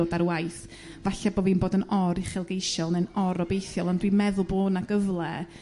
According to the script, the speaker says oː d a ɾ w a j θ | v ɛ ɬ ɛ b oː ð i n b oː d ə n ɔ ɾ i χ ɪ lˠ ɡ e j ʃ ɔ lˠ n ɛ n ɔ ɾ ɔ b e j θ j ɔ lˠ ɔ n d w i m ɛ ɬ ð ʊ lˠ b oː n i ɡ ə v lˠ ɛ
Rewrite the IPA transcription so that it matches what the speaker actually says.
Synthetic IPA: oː d a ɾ w a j θ | v a ɬ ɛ b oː v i n b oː d ə n ɔ ɾ i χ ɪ lˠ ɡ e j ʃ ɔ lˠ n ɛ n ɔ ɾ ɔ b e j θ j ɔ lˠ ɔ n d w i m ɛ ð ʊ lˠ b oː n a ɡ ə v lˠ ɛ